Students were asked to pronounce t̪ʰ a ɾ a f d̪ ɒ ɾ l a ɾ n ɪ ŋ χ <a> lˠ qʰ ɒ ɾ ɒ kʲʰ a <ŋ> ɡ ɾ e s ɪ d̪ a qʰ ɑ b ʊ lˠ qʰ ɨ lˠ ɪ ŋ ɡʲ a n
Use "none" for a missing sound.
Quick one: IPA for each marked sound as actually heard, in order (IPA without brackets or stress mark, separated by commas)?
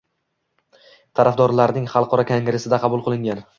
ɑ, ŋ